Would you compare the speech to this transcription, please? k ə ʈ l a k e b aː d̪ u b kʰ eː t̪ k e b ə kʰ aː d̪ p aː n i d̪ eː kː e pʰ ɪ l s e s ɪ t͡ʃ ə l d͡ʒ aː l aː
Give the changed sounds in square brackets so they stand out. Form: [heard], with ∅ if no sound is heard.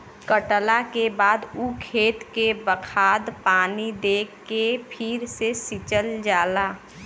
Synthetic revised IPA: k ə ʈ l a k e b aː d̪ u [∅] kʰ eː t̪ k e b ə kʰ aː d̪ p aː n i d̪ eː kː e pʰ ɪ [ɾ] s e s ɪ t͡ʃ ə l d͡ʒ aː l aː